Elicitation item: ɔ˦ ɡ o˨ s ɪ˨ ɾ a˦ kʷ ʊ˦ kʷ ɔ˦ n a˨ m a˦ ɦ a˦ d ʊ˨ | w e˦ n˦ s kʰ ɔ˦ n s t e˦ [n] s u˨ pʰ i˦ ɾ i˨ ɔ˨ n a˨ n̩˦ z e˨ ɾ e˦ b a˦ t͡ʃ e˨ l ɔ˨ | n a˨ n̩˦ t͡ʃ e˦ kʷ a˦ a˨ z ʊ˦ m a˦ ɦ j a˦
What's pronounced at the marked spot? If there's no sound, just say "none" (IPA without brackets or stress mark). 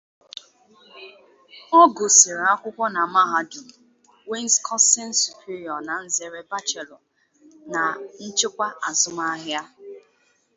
n